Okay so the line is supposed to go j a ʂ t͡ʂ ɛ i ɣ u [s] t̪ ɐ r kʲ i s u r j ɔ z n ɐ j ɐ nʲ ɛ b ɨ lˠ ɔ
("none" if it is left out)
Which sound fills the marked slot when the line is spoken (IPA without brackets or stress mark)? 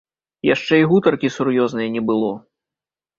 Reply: none